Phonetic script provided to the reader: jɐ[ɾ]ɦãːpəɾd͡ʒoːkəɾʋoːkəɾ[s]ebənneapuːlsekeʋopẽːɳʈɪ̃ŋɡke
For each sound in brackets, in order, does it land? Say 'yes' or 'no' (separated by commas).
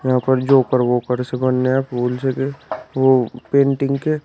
no, yes